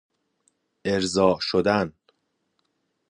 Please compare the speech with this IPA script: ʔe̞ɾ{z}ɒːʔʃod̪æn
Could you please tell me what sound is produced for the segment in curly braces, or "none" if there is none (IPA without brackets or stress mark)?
z